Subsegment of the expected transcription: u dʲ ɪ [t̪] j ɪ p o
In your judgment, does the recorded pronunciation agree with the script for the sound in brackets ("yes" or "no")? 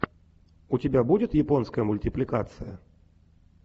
yes